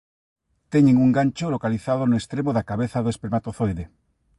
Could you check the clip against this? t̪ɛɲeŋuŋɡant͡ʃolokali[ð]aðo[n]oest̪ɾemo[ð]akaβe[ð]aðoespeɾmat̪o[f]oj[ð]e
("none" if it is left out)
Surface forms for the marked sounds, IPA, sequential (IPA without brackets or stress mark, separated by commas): θ, n, ð, θ, θ, ð